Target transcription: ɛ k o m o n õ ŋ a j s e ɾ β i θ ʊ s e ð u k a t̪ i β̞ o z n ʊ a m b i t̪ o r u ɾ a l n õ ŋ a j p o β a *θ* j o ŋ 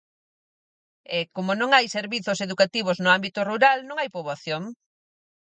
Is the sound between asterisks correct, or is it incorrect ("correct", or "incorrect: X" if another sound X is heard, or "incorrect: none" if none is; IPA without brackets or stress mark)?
correct